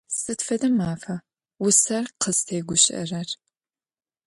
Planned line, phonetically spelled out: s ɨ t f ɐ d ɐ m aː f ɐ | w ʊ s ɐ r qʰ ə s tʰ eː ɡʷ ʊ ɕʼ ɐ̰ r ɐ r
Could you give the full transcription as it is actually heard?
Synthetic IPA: s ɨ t f ɐ d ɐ m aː f ɐ | w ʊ s ɐ r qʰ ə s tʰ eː ɡʷ ʊ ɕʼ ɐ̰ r ɐ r